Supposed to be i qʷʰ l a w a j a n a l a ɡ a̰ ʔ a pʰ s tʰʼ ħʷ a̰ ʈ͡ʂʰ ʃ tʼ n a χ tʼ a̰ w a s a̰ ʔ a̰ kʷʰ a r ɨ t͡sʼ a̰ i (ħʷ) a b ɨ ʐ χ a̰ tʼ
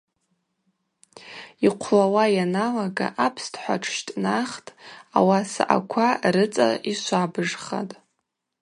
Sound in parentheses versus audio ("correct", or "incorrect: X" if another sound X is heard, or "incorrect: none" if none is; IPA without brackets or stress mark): incorrect: ʃʷ